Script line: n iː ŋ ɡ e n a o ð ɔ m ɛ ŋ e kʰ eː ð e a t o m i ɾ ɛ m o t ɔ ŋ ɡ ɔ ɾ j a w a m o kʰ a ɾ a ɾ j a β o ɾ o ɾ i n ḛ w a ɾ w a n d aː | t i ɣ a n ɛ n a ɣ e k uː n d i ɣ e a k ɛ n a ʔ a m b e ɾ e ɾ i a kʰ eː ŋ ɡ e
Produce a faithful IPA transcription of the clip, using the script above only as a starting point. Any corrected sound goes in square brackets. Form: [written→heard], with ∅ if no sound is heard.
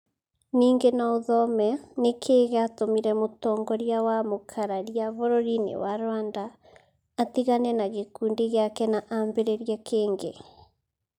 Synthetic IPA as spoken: n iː ŋ ɡ e n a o ð ɔ m ɛ [ŋ→n] e kʰ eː [ð→ɣ] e a t o m i ɾ ɛ m o t ɔ ŋ ɡ ɔ ɾ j a w a m o kʰ a ɾ a ɾ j a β o ɾ o ɾ i n ḛ w a ɾ w a n d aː | t i ɣ a n ɛ n a ɣ e k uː n d i ɣ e a k ɛ n a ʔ a m b e ɾ e ɾ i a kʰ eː ŋ ɡ e